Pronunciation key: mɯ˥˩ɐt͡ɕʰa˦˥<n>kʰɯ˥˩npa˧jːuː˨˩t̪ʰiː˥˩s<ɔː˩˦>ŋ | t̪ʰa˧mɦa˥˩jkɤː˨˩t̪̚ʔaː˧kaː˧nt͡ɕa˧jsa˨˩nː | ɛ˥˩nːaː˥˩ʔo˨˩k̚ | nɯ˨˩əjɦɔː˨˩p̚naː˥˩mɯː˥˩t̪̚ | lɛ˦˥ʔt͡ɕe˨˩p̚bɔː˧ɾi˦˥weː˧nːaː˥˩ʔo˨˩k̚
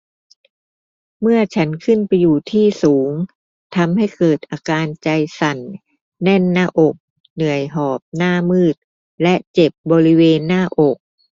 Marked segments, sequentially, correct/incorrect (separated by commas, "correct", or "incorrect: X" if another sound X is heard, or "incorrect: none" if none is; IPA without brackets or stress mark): correct, incorrect: uː˩˦